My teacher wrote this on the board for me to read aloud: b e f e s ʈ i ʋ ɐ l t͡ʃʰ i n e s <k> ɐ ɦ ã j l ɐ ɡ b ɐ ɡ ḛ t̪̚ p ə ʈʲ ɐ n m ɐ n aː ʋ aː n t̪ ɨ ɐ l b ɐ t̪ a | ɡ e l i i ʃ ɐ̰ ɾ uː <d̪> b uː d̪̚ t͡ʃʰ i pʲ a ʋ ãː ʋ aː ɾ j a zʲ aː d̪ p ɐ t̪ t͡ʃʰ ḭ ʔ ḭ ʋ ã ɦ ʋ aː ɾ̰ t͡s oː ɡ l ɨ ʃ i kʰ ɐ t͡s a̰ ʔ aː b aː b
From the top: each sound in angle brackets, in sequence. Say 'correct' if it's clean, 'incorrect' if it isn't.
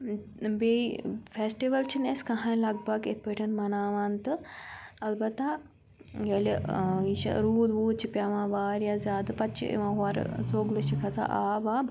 correct, correct

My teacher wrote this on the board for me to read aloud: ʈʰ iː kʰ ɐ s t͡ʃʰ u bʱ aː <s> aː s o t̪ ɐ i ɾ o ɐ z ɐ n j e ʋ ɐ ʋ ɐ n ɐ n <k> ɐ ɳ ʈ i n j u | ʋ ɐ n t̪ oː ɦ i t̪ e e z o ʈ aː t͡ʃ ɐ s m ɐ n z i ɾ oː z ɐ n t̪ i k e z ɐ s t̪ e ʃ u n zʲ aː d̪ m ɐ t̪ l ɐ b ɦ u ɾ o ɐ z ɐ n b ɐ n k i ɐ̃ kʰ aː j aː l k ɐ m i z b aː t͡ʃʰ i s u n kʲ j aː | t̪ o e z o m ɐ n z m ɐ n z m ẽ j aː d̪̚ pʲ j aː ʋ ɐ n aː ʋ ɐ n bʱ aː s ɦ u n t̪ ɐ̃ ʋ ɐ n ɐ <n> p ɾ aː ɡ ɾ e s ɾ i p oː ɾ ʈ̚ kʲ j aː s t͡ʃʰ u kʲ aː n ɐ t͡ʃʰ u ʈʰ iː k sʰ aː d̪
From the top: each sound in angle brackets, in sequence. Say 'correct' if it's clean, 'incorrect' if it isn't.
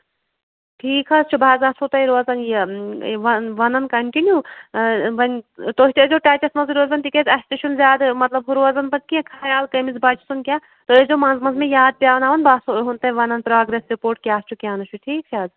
incorrect: z, correct, correct

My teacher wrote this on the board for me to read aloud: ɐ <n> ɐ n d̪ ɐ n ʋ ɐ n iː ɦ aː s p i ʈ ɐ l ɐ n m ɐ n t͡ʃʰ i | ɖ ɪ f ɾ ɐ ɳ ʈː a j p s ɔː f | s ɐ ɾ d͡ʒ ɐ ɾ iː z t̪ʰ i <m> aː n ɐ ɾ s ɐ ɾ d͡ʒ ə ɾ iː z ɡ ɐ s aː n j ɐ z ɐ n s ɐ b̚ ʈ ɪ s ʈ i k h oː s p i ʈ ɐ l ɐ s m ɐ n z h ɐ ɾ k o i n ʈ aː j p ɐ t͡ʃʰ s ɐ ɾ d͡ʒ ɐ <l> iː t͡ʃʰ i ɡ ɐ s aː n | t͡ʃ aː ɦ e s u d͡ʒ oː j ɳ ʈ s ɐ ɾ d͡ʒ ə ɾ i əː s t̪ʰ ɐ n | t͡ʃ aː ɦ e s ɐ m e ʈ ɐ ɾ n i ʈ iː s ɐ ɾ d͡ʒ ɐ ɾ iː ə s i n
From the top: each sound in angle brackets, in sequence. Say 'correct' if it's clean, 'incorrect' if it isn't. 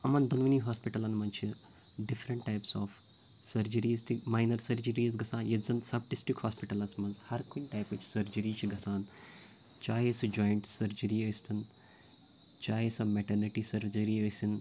incorrect: m, correct, incorrect: ɾ

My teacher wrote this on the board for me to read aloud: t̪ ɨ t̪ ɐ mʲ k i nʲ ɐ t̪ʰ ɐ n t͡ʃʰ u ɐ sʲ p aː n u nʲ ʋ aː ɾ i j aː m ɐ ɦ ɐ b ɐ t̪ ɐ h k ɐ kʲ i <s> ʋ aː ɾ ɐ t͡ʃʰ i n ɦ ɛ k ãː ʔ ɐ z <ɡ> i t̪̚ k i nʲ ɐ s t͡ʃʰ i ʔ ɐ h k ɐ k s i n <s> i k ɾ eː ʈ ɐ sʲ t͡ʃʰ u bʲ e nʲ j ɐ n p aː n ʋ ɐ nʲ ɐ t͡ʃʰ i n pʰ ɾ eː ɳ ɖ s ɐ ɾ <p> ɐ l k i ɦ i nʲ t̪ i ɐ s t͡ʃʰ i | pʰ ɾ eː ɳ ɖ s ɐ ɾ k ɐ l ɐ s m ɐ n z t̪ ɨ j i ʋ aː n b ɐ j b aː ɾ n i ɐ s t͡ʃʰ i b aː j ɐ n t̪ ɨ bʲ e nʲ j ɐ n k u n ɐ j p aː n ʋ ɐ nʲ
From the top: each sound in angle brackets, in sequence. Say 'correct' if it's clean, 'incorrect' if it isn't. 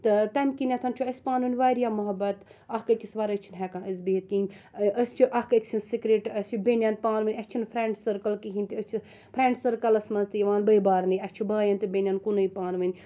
correct, incorrect: b, correct, incorrect: k

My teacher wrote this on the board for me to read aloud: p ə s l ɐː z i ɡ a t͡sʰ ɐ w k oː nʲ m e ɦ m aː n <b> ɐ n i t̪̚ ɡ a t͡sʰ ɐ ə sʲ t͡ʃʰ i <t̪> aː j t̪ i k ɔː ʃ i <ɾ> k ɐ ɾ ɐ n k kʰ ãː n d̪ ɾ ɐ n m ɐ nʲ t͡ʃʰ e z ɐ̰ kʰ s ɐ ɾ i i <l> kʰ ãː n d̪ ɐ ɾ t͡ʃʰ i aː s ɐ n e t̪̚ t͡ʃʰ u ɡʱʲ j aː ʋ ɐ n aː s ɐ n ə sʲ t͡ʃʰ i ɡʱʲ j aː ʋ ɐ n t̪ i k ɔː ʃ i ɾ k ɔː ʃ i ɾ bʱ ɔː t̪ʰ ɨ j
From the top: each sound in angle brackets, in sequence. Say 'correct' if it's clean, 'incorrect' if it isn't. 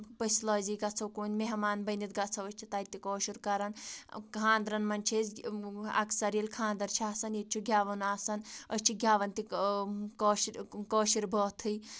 correct, correct, correct, correct

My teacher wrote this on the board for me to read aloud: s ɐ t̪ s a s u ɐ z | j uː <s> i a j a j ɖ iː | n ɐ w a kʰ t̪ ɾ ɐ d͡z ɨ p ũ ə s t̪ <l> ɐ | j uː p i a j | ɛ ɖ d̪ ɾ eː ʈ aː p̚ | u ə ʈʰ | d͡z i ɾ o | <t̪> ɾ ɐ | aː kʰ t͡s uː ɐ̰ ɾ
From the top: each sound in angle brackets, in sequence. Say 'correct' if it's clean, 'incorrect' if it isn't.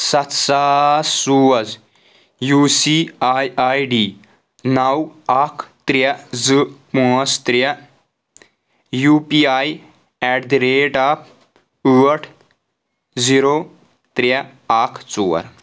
correct, incorrect: ɾ, correct

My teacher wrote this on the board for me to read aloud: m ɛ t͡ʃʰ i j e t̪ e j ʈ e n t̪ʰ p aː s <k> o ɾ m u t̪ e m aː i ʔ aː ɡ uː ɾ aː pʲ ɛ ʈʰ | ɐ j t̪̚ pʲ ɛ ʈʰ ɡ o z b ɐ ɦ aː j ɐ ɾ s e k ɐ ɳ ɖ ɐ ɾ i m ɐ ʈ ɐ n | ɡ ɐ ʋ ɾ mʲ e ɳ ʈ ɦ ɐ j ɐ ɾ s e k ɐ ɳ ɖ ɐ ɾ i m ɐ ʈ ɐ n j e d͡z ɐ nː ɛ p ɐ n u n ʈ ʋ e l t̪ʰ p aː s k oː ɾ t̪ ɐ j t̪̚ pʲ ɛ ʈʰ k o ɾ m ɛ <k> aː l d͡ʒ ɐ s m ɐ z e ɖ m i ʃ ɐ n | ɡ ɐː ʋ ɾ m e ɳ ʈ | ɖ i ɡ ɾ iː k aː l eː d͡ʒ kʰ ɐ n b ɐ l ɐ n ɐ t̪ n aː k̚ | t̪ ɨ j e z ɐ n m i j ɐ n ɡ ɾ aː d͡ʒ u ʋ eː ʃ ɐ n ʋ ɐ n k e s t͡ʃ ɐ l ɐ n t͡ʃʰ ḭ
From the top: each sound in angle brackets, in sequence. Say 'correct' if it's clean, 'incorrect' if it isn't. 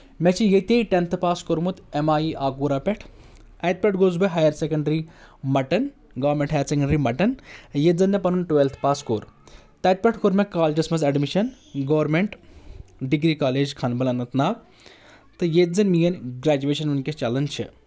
correct, correct

